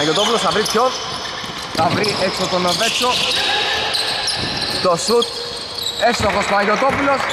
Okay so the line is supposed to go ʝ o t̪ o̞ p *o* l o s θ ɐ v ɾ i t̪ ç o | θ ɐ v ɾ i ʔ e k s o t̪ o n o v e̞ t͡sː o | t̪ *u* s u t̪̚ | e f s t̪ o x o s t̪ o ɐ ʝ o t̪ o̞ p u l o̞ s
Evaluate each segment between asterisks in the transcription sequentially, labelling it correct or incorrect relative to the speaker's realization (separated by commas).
incorrect, incorrect